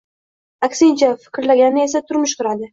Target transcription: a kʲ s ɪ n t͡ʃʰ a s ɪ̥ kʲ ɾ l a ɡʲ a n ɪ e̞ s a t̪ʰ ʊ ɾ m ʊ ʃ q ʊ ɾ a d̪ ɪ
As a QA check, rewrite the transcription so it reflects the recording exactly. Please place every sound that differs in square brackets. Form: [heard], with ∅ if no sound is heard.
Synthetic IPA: a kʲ s ɪ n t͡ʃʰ a [f] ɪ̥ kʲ ɾ l a ɡʲ a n ɪ e̞ s a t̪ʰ ʊ ɾ m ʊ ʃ q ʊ ɾ a d̪ ɪ